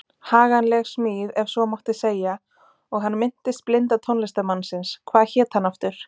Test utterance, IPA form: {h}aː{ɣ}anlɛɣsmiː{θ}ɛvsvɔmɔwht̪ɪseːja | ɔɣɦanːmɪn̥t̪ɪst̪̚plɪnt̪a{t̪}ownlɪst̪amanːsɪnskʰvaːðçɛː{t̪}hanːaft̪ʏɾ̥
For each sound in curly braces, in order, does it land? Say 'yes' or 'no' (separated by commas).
yes, yes, no, no, yes